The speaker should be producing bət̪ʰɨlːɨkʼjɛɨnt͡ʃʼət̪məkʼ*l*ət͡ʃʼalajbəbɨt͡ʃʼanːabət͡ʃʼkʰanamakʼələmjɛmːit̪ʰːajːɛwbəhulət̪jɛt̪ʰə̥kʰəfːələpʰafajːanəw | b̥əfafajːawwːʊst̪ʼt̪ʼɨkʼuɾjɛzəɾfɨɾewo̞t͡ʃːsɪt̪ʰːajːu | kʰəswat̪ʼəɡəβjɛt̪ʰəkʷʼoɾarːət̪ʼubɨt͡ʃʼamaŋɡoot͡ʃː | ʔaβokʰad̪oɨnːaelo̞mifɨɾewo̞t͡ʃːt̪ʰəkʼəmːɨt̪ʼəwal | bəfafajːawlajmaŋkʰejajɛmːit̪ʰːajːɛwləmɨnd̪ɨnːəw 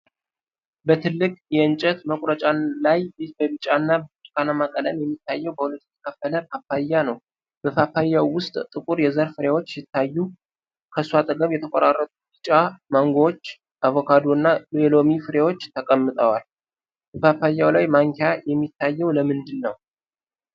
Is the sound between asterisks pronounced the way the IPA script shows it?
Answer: no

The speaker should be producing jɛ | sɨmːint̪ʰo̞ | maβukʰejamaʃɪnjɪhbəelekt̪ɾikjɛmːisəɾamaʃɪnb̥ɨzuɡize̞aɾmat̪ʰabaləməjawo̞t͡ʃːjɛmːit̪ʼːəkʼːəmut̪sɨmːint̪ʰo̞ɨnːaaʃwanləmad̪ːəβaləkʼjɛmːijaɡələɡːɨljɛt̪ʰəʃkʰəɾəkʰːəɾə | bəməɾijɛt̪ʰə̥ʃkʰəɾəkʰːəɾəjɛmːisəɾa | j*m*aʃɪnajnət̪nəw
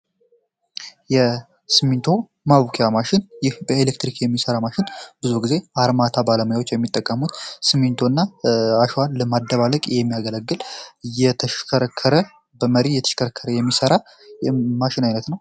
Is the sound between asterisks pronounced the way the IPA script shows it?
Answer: yes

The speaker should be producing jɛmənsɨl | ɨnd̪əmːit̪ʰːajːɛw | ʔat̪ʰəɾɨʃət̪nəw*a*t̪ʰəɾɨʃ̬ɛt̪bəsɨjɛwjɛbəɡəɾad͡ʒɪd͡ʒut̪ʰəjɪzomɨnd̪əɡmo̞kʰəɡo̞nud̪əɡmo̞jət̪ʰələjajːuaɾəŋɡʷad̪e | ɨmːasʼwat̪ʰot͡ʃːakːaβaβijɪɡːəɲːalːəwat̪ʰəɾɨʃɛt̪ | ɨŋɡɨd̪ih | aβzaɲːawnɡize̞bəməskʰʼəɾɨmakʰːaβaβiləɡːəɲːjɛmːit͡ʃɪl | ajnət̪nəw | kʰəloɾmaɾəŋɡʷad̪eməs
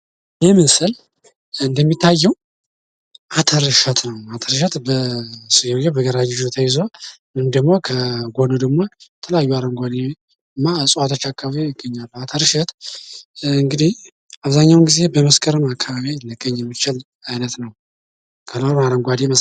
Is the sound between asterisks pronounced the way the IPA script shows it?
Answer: yes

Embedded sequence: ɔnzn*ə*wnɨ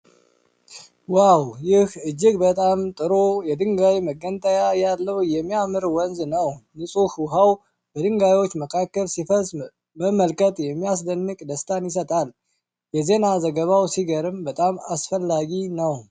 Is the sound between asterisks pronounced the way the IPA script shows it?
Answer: yes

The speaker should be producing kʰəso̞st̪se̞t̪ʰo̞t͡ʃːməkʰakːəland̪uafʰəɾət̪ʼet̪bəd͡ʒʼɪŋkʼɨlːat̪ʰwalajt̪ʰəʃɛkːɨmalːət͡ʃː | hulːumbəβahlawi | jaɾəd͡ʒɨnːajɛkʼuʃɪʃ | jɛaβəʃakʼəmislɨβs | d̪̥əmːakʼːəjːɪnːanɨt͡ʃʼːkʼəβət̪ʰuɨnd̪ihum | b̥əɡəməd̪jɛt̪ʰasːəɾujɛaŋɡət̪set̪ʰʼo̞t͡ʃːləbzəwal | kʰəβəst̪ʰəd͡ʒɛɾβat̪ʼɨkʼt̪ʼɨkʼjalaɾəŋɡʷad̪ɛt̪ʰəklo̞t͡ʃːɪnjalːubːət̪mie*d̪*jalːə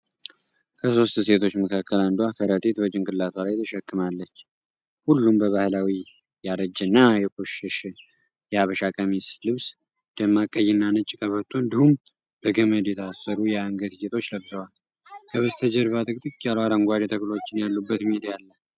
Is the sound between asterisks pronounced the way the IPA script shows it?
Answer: yes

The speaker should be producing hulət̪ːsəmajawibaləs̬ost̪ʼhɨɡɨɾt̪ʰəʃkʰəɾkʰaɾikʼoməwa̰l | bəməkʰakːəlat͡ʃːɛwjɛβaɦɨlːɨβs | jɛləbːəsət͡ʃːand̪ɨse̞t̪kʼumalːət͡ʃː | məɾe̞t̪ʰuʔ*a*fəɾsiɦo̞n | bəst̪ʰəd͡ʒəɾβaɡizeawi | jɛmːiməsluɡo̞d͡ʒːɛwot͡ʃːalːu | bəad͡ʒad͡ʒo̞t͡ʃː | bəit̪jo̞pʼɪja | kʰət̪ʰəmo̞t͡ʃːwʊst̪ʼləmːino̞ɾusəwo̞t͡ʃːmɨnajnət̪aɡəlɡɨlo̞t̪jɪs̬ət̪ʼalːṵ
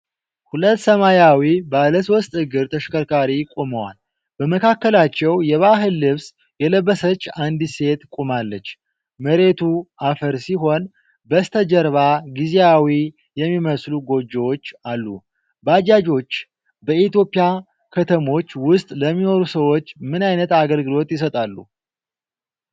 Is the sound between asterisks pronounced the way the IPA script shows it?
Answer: yes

